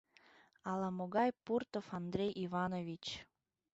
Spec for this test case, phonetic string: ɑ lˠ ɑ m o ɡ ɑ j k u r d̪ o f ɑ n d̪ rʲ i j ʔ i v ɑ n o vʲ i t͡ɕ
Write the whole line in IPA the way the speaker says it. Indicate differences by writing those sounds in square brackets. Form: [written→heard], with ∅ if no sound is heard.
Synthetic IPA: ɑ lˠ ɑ m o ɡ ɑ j [k→p] u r [d̪→t̪] o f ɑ n d̪ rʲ [i→e] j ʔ i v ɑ n o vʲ i t͡ɕ